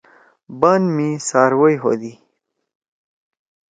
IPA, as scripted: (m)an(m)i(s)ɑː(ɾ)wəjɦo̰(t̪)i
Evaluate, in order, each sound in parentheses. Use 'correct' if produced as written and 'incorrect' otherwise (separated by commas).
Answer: incorrect, correct, correct, correct, incorrect